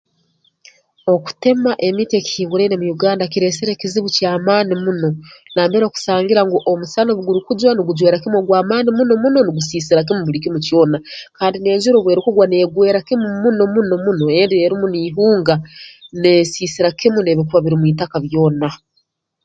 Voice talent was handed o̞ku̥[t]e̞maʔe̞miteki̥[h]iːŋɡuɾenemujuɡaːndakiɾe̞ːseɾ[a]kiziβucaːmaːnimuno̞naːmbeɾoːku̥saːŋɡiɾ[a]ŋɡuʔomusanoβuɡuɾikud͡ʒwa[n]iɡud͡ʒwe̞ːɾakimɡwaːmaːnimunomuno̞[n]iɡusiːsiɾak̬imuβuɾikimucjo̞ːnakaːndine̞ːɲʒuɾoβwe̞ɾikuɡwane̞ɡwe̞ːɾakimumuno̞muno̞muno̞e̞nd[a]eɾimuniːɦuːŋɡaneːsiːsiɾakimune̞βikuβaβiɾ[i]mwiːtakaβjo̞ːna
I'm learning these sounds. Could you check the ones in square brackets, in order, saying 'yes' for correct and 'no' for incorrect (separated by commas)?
yes, yes, no, yes, yes, yes, no, yes